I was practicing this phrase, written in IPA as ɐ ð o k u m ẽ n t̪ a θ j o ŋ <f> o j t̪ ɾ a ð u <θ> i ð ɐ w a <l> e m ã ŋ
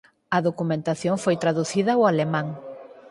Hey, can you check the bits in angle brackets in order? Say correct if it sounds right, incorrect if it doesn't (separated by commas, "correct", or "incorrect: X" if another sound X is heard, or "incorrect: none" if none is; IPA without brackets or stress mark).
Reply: correct, correct, correct